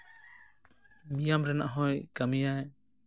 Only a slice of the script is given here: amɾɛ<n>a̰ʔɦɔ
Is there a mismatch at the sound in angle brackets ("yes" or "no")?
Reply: no